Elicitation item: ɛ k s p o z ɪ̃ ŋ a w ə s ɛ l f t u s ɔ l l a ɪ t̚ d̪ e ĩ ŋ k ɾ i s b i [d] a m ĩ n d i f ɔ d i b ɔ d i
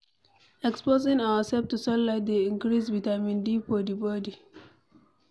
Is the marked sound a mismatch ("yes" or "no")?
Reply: yes